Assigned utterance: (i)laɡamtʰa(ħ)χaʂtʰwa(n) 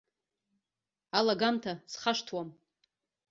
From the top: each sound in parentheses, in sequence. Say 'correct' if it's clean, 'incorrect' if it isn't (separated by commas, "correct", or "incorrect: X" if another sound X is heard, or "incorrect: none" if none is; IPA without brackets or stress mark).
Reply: incorrect: a, incorrect: s, incorrect: m